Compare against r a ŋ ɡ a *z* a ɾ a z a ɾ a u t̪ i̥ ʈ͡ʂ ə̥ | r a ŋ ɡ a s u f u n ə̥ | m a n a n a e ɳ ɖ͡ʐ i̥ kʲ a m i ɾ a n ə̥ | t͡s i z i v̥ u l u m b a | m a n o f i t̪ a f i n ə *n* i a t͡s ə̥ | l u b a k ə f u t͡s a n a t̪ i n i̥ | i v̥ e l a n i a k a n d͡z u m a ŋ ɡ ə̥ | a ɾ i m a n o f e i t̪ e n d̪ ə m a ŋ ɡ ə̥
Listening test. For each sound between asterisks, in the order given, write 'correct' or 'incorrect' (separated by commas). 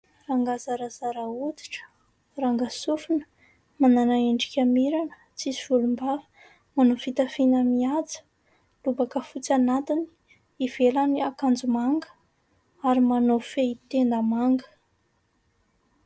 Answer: correct, incorrect